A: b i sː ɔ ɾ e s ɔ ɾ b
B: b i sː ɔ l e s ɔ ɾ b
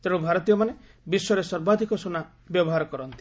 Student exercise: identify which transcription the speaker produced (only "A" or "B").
A